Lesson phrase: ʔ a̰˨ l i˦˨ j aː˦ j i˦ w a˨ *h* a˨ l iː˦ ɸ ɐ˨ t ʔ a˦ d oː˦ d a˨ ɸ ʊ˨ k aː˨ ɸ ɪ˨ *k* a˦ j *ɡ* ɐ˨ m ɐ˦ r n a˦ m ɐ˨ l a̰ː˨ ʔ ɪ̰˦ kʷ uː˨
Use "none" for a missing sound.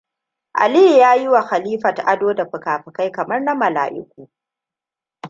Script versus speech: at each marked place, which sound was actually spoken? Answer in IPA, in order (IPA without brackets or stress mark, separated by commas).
x, k, k